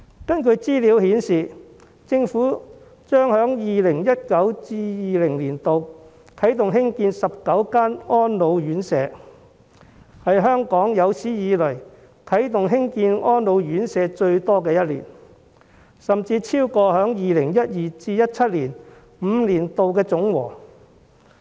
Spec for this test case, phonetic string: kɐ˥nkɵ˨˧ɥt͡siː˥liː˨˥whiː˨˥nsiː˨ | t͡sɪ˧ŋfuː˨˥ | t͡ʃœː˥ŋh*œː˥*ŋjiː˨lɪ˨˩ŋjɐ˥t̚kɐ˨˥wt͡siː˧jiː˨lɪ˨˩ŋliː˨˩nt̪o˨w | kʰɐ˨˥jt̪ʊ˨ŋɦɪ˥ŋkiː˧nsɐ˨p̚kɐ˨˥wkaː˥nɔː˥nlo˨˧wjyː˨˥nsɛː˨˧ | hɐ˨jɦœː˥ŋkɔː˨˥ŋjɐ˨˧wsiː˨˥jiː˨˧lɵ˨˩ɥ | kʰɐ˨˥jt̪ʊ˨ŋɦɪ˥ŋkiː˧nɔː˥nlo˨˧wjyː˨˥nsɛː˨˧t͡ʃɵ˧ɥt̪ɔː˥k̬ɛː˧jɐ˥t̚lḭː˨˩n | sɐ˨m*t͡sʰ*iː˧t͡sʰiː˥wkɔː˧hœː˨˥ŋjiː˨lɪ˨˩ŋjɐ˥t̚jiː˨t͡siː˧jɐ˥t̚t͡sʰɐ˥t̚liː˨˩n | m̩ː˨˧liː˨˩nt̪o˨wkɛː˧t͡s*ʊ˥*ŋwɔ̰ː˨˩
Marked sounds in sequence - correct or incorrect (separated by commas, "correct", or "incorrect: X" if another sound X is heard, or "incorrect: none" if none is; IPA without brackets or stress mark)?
incorrect: œː˨˥, incorrect: t͡s, incorrect: ʊ˨˥